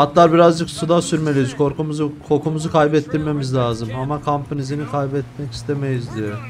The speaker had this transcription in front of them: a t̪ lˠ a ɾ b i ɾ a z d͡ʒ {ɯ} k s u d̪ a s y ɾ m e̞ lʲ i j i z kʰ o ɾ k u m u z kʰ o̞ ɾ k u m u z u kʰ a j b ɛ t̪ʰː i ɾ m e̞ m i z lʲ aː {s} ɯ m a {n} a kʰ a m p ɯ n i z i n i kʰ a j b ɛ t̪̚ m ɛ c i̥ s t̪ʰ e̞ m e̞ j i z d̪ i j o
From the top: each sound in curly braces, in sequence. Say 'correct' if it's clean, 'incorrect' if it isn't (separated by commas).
correct, incorrect, incorrect